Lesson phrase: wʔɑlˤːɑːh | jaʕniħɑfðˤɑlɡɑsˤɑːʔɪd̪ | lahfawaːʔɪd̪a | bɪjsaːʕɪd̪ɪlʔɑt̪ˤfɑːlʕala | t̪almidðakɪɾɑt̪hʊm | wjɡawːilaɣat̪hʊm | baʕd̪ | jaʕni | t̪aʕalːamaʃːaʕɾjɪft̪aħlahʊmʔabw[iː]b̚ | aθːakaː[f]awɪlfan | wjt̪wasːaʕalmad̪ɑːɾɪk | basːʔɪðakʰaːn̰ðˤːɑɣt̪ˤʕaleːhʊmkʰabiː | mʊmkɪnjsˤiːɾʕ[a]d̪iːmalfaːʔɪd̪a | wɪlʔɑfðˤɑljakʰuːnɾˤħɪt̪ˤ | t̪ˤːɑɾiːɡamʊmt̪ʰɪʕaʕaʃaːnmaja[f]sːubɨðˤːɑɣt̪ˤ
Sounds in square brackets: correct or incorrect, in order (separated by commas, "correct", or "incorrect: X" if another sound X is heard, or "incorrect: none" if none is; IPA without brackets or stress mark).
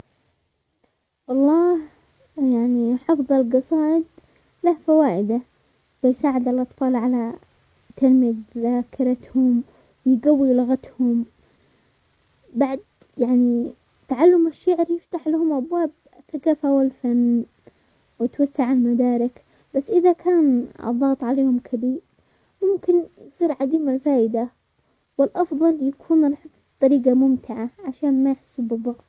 incorrect: aː, correct, correct, incorrect: ħ